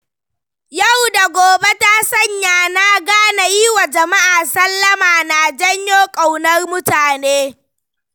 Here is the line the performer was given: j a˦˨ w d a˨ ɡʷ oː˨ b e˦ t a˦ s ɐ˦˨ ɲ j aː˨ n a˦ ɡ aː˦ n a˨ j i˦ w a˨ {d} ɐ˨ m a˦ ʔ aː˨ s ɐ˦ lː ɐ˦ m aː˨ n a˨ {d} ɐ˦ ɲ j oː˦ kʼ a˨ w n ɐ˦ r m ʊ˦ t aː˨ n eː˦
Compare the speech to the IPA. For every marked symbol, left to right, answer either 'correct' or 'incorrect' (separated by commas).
incorrect, incorrect